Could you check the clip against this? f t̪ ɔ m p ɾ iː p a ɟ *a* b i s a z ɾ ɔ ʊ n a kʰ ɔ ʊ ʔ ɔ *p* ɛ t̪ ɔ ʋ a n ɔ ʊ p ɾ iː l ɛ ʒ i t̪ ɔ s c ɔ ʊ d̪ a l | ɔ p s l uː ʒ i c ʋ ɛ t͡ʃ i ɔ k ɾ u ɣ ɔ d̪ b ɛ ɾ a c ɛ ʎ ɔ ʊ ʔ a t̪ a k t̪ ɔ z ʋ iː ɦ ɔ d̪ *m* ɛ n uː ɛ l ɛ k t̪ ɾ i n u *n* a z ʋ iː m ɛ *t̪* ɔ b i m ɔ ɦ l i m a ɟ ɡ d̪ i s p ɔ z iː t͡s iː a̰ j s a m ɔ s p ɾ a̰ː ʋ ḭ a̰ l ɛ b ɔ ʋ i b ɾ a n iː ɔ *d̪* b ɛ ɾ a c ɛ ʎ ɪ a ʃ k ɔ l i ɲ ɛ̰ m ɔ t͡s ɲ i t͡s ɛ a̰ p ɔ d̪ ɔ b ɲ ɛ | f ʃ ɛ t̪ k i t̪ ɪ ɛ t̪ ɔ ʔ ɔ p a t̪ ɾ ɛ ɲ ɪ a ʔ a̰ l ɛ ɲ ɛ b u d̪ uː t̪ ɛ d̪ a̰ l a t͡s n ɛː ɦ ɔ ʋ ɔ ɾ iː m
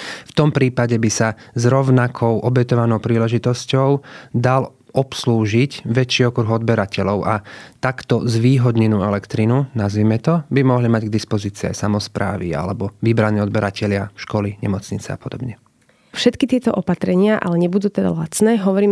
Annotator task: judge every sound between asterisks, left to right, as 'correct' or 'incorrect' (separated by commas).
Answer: incorrect, incorrect, incorrect, correct, correct, correct